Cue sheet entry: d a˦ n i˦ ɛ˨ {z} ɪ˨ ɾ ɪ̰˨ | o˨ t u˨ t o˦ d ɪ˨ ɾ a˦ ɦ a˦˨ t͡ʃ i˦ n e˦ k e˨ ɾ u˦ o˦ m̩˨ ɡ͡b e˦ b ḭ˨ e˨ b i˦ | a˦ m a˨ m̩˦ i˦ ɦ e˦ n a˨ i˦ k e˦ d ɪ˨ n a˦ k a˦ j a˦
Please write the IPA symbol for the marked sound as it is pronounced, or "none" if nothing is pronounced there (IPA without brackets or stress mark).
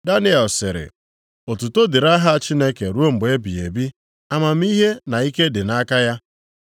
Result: s